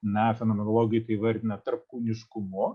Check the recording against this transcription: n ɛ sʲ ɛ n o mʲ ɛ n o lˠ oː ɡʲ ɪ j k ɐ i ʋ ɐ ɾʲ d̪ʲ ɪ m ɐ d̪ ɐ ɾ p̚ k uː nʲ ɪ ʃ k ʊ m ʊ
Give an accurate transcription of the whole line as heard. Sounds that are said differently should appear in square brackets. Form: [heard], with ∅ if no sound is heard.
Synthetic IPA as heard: n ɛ [fʲ] ɛ n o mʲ ɛ n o lˠ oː ɡʲ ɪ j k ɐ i ʋ ɐ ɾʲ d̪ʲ ɪ [n] ɐ [t̪] ɐ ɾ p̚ k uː nʲ ɪ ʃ k ʊ m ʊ